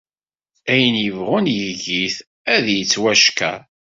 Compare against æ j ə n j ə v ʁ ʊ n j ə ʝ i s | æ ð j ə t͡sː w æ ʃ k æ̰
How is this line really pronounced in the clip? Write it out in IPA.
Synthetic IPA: æ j ə n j ə v ʁ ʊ n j ə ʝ i θ | æ ð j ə t͡sː w æ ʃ k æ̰